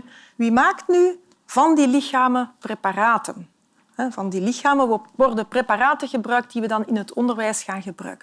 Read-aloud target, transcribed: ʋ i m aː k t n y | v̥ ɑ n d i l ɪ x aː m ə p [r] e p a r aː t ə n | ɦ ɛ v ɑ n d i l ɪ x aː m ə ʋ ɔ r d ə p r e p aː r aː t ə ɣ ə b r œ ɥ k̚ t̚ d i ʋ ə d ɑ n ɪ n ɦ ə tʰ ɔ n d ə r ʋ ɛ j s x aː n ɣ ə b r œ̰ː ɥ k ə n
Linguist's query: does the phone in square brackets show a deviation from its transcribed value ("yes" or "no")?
no